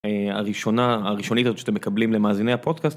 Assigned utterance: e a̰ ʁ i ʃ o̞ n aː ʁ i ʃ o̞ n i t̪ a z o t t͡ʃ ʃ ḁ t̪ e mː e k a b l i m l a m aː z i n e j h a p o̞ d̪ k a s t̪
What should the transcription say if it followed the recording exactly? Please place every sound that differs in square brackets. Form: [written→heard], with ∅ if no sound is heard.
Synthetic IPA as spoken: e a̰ ʁ i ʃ o̞ n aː ʁ i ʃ o̞ n i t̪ a z o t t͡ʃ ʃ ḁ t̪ e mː e k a b l i m l [a→e] m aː z i n e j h a p o̞ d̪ k a s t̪

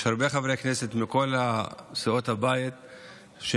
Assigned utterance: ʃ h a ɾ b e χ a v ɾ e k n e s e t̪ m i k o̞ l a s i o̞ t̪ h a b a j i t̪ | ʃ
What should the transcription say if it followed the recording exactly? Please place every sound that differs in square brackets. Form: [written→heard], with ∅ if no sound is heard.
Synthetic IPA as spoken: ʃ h a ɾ b e χ a v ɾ e k n e s e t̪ m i k o̞ l a s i o̞ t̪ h a b a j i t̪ | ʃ

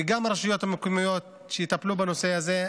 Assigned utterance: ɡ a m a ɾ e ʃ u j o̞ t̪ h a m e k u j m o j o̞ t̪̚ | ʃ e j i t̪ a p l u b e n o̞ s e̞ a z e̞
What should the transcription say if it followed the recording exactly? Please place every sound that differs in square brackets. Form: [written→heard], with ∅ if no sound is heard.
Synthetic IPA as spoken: ɡ a m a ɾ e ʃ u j o̞ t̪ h a m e k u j m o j o̞ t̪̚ | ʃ e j i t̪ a p l u b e n o̞ s e̞ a z e̞

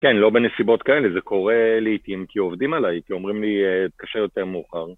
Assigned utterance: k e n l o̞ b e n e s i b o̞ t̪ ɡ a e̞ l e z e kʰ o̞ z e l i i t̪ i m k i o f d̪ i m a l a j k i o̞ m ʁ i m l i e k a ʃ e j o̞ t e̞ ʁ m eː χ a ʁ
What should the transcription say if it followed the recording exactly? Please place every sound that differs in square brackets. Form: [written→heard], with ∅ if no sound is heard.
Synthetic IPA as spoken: k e n l o̞ b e n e s i b o̞ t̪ [ɡ→k] a e̞ l e z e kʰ o̞ [z→ʁ] e l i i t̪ i m k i o [f→v] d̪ i m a l a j k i o̞ m ʁ i m l i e k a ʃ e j o̞ t e̞ ʁ m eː χ a ʁ

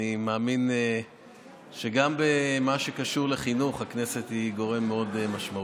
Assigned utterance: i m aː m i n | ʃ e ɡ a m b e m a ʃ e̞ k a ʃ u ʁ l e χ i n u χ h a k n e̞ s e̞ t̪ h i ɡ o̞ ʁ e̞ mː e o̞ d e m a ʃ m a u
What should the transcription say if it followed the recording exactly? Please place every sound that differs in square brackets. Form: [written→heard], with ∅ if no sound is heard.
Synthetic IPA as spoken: i m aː m i n | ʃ e ɡ a m b e m a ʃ e̞ k a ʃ u ʁ l e χ i n u χ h a k n e̞ s e̞ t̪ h i ɡ o̞ ʁ e̞ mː e o̞ d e m a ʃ m a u

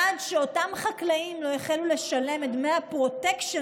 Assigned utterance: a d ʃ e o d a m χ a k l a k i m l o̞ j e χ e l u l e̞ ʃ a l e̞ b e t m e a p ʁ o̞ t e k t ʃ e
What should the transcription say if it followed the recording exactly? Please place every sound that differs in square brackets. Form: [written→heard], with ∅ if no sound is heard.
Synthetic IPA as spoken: a d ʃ e o [d→t] a m χ a k l a [k→∅] i m l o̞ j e χ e l u l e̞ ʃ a l e̞ [b→m] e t m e a p ʁ o̞ t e k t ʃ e

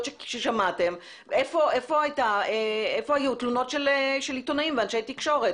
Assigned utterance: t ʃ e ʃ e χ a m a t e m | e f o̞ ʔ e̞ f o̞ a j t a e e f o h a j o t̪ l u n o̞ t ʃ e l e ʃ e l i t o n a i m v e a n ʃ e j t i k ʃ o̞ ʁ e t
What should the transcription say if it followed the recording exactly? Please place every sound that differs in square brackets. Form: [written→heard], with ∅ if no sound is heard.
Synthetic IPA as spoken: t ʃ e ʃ e [χ→ʃ] a m a t e m | e f o̞ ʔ e̞ f o̞ a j t a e e f o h a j [o→u] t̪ l u n o̞ t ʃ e l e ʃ e l i t o n a i m v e a n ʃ e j t i k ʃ o̞ ʁ e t

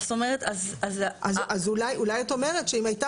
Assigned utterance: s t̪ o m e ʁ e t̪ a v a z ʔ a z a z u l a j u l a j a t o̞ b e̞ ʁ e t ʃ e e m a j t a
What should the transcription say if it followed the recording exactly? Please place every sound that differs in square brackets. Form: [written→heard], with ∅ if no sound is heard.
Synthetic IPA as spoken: s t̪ o m e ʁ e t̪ a [v→z] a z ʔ a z a z u l a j u l a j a t o̞ [b→m] e̞ ʁ e t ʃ e [e→i] m a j t a

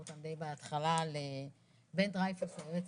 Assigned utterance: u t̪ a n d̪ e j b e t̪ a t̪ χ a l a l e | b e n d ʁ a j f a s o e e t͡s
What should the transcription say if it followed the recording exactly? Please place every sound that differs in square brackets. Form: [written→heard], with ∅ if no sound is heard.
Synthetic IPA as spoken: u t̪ a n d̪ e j b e [t̪→∅] a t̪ χ a l a l e | b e n d ʁ a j f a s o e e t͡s

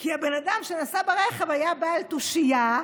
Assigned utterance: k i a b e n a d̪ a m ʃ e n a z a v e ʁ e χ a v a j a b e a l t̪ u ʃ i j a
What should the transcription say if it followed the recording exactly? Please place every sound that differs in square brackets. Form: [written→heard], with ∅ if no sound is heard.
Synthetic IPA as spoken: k i a b e n a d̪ a m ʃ e n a [z→s] a [v→b] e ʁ e χ [a→e] v a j a b [e→a] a l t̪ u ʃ i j a

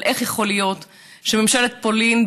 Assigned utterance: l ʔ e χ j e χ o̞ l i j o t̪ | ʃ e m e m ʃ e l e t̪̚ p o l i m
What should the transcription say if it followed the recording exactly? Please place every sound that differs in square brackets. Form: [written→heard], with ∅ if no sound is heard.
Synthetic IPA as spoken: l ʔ e χ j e χ o̞ l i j o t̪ | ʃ e m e m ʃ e l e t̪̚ p o l i [m→n]

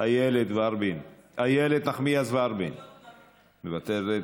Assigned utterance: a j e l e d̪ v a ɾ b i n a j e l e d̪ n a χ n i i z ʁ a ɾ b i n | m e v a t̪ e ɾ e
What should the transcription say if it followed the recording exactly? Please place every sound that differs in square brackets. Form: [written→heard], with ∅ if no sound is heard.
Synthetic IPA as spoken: a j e l e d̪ v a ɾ b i n a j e l e d̪ n a χ [n→m] i [i→a] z [ʁ→v] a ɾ b i n | m e v a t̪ e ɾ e

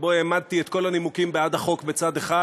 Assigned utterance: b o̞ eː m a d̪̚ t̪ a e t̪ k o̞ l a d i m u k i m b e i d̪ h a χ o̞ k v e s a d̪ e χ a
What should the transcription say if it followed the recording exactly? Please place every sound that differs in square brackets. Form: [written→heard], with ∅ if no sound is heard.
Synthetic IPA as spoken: b o̞ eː m a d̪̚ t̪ [a→i] e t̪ k o̞ l a [d→n] i m u k i m b e [i→a] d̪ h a χ o̞ k [v→b] e [s→t͡s] a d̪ e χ a

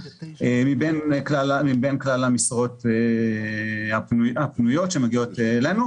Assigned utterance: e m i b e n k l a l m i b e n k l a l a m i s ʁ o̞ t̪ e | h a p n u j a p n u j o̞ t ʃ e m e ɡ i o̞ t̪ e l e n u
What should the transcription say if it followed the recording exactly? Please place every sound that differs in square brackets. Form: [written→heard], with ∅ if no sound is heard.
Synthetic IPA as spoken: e m i b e n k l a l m i b e n k l a l a m i s ʁ o̞ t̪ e | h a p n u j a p n u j o̞ t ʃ e m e ɡ i o̞ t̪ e l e n u

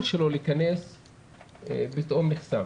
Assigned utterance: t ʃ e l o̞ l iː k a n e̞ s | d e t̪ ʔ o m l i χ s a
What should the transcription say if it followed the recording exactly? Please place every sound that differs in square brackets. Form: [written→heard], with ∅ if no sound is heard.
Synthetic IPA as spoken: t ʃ e l o̞ l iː k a n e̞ s | [d→b] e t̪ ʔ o m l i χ s a

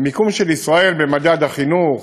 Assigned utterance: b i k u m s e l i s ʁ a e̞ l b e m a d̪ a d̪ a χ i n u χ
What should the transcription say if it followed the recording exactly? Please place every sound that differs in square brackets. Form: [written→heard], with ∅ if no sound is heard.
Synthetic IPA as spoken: [b→m] i k u m [s→ʃ] e l i s ʁ a e̞ l b e m a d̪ a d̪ a χ i n u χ

